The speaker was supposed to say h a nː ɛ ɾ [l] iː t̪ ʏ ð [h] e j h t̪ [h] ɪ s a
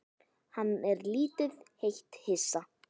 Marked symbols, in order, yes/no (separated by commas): yes, yes, yes